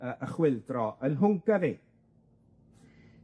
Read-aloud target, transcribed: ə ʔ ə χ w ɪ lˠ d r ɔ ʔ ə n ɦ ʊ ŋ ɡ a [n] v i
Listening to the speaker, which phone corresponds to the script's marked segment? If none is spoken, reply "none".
none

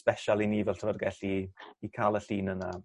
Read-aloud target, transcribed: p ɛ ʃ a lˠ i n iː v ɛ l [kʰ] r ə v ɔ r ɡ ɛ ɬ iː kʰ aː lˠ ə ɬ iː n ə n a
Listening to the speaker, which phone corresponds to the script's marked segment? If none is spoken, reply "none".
tʰ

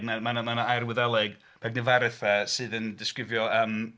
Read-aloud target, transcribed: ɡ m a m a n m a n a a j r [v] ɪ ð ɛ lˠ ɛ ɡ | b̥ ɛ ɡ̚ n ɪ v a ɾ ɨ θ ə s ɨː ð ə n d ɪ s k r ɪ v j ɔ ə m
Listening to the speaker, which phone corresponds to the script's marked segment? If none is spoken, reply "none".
w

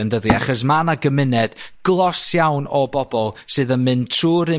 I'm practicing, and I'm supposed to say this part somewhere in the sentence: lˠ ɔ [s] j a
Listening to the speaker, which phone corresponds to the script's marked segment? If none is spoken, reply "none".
s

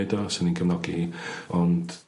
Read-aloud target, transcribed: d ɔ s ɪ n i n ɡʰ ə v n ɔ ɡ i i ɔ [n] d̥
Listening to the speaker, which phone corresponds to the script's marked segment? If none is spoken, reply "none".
n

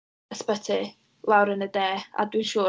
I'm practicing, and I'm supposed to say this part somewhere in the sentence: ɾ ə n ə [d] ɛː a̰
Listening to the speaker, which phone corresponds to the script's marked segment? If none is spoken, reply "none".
d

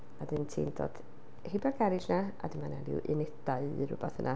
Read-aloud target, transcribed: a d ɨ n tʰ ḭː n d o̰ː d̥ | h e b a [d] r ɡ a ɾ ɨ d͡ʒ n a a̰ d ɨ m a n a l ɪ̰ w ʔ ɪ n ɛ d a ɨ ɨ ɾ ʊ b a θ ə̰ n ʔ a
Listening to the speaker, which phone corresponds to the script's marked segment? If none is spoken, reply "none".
none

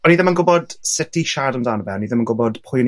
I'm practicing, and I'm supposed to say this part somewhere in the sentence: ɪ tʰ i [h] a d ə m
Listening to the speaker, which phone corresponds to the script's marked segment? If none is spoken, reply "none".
ʃ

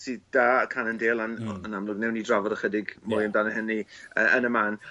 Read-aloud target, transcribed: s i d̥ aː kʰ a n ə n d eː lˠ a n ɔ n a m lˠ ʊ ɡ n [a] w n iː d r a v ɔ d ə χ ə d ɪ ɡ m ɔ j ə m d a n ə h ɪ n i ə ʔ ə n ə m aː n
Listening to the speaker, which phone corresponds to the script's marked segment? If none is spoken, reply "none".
ɛ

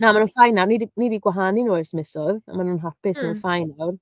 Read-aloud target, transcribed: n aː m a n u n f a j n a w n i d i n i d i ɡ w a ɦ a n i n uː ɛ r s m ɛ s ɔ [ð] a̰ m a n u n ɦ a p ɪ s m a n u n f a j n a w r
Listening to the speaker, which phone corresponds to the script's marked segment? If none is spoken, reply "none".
ð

